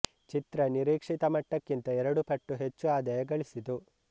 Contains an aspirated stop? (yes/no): no